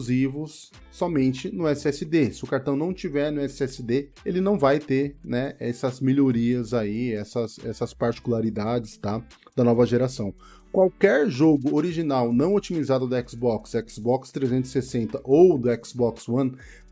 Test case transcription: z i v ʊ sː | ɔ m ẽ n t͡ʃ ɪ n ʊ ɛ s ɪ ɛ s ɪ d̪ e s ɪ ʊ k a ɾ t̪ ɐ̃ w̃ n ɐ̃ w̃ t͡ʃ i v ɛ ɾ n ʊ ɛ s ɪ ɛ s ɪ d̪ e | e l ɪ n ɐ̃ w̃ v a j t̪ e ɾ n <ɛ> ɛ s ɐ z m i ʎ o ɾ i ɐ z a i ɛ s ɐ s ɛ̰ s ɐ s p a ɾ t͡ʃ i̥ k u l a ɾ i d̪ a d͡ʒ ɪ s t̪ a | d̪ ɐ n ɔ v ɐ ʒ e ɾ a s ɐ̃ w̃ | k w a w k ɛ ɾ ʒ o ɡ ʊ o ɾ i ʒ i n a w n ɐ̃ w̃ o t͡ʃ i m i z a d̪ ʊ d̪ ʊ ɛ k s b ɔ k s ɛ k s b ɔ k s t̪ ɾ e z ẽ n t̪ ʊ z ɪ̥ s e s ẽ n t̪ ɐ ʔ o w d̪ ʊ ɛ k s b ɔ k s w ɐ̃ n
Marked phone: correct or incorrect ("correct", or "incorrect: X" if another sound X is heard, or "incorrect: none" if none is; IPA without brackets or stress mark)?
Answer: correct